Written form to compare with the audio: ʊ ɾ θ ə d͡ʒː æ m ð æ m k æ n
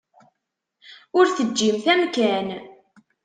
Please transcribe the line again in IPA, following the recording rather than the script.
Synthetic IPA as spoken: ʊ ɾ θ ə d͡ʒː i m θ æ m k æ n